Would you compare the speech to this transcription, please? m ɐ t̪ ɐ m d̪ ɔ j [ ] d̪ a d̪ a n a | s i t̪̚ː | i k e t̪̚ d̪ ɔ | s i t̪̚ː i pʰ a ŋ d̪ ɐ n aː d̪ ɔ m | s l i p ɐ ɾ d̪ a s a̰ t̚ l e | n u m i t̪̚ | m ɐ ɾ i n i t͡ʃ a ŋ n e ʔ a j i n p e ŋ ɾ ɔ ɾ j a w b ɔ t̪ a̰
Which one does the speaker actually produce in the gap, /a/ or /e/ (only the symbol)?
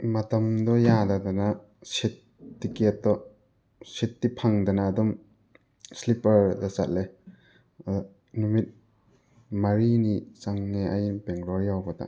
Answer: a